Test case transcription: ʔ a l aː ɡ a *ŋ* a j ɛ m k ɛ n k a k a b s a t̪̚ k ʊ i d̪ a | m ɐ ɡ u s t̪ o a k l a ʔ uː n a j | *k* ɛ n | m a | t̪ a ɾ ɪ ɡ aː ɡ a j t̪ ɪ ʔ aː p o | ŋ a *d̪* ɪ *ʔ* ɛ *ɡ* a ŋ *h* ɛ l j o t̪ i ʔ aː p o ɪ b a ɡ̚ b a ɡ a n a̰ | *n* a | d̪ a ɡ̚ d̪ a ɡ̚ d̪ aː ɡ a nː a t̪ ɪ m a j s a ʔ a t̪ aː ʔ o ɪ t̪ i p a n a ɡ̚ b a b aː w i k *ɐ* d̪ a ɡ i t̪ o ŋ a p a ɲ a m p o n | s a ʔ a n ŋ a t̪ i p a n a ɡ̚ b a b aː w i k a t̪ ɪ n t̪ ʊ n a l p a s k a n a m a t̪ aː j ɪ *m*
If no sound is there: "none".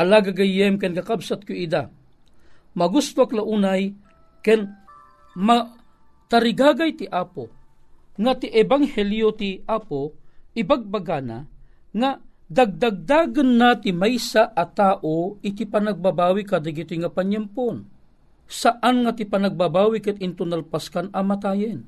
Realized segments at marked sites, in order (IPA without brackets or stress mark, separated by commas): ɡ, k, t̪, ʔ, b, h, ŋ, a, n